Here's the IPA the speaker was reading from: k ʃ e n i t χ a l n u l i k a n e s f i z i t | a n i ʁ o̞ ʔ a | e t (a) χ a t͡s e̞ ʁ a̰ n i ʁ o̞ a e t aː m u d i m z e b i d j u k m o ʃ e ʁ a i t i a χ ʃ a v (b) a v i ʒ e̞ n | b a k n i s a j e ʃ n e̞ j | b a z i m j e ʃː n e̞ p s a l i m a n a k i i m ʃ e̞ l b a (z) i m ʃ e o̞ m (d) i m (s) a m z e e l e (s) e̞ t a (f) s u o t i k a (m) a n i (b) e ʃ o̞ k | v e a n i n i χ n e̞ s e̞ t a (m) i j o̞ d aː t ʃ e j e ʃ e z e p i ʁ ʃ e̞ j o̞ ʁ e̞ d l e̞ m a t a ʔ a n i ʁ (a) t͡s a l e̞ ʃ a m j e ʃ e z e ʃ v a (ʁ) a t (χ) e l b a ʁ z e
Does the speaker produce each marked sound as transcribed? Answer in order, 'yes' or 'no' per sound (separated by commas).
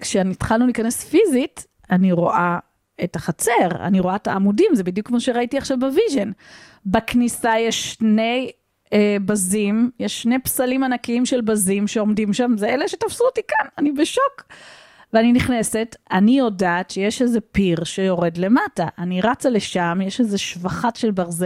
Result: yes, yes, yes, yes, no, no, yes, no, yes, no, yes, no, no